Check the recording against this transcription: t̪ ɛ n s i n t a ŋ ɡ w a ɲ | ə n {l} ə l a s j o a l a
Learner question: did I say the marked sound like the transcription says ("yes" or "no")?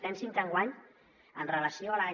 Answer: no